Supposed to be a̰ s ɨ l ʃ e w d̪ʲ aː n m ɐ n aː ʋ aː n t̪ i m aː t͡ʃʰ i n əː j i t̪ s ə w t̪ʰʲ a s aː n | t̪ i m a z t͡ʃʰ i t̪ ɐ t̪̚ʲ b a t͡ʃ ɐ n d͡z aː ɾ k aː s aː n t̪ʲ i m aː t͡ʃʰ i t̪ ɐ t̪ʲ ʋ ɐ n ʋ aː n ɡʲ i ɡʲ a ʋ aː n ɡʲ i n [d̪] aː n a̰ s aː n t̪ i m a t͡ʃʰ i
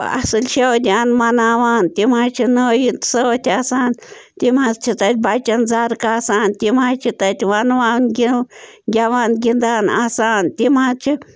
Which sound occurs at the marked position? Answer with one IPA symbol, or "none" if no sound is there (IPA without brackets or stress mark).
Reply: d̪